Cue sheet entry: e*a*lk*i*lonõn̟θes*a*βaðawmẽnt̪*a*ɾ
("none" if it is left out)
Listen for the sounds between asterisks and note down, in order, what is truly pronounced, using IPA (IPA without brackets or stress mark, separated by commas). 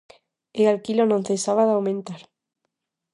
a, i, a, a